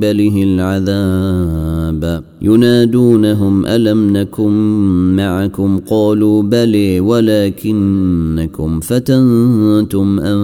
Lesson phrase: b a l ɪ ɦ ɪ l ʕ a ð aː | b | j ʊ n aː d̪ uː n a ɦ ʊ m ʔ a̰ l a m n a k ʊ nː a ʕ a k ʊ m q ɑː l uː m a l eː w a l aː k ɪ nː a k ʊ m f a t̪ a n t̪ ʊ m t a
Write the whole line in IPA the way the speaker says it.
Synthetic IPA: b a l ɪ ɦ ɪ l ʕ a ð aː | b | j ʊ n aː d̪ uː n a ɦ ʊ m ʔ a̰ l a m n a k ʊ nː a ʕ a k ʊ m q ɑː l uː b a l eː w a l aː k ɪ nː a k ʊ m f a t̪ a n t̪ ʊ m ʔ a